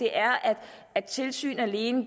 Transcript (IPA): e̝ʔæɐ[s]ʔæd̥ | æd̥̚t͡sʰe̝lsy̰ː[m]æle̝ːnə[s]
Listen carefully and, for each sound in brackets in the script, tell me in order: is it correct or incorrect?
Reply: incorrect, incorrect, incorrect

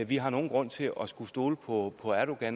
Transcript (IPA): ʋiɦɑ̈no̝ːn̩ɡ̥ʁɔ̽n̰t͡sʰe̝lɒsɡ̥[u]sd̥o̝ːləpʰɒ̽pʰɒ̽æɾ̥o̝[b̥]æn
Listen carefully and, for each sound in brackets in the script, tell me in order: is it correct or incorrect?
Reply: correct, incorrect

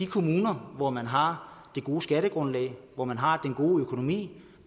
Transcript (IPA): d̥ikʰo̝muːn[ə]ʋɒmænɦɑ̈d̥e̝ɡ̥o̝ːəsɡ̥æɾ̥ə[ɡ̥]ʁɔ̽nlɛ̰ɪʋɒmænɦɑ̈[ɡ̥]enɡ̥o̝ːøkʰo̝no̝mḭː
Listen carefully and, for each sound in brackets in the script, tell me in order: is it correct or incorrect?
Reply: incorrect, correct, incorrect

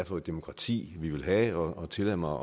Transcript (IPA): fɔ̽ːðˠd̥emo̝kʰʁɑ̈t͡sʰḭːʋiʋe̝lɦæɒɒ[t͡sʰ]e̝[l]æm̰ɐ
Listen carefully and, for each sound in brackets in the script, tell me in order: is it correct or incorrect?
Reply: correct, correct

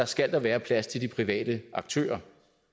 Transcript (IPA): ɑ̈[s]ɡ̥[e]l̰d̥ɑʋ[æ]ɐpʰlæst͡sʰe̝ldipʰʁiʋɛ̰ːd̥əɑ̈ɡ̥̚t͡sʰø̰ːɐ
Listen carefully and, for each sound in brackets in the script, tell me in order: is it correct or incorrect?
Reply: correct, incorrect, incorrect

